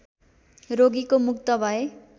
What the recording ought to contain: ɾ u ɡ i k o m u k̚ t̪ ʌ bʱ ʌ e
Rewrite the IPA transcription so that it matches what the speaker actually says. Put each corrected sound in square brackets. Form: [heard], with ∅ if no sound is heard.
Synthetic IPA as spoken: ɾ [o] ɡ i k o m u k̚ t̪ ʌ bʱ ʌ e